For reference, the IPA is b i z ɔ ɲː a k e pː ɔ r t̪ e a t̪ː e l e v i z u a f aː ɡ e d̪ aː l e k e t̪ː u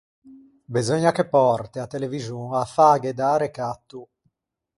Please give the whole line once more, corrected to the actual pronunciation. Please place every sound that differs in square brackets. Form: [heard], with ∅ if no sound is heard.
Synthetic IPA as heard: b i z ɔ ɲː a k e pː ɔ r t̪ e a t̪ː e l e v i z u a f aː ɡ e d̪ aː [ɾ] e k [a] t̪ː u